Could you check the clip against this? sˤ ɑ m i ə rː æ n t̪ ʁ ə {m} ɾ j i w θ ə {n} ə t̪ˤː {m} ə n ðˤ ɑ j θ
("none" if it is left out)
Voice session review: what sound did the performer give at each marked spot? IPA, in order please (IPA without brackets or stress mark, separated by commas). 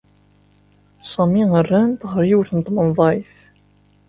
none, n, m